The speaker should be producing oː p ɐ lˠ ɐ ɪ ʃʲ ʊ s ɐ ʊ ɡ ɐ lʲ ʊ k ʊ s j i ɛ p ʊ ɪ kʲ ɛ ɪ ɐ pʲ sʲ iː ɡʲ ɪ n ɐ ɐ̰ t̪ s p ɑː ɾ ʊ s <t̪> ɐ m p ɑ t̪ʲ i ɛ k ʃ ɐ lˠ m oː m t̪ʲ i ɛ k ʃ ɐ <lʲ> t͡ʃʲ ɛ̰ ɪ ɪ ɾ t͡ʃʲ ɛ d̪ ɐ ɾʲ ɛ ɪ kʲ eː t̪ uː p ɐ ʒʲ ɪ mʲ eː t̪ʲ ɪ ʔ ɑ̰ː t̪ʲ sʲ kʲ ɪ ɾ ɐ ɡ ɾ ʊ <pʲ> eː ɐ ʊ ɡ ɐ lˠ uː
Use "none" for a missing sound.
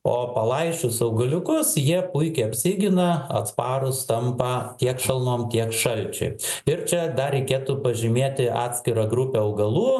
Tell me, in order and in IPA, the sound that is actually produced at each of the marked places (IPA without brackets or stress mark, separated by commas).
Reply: t̪, lʲ, pʲ